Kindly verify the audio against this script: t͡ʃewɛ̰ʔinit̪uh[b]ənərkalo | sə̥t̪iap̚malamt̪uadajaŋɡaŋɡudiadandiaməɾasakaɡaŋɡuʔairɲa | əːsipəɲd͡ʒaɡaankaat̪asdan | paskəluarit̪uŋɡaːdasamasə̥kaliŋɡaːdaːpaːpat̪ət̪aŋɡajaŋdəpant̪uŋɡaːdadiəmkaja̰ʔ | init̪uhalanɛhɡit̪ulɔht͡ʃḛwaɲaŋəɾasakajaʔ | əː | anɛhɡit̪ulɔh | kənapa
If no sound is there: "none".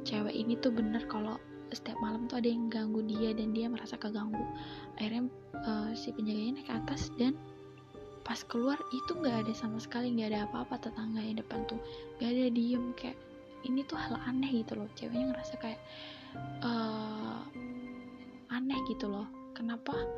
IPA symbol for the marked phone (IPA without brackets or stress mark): b